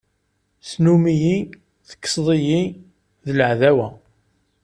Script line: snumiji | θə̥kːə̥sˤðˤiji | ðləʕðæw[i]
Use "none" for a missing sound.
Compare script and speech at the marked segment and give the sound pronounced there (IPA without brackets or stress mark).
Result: æ